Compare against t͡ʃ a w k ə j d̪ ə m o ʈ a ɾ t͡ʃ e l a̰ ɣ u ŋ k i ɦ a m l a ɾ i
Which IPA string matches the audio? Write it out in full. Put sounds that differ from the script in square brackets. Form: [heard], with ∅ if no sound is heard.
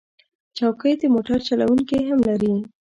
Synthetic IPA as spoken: t͡ʃ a w k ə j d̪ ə m o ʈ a ɾ t͡ʃ [a] l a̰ [w] u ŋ k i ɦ a m l a ɾ i